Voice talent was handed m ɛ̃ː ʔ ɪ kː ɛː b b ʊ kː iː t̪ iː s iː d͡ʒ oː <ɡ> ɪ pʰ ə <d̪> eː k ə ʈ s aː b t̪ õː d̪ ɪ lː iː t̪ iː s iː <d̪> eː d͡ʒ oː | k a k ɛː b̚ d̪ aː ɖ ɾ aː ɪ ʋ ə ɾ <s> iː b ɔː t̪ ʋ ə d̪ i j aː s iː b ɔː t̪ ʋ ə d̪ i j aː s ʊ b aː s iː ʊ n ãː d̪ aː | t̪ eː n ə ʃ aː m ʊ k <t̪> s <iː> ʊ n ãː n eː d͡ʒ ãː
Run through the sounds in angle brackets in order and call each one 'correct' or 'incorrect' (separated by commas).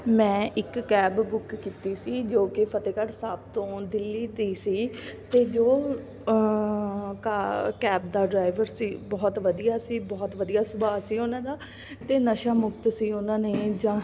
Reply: incorrect, incorrect, incorrect, correct, correct, correct